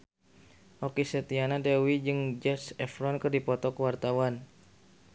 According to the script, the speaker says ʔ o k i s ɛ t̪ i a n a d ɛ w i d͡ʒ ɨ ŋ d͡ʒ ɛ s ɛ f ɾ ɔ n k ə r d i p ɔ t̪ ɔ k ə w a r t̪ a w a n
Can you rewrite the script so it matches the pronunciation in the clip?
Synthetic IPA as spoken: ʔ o k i s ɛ t̪ i a n a d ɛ w i d͡ʒ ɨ ŋ d͡ʒ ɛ s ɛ f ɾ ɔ n k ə r d i p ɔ t̪ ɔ k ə w a r t̪ a w a n